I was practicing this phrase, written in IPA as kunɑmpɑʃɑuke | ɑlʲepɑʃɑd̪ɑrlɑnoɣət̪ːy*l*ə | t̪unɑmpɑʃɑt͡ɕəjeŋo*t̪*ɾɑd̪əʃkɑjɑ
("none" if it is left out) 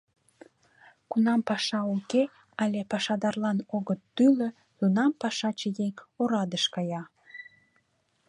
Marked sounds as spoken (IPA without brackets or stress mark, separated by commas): l, none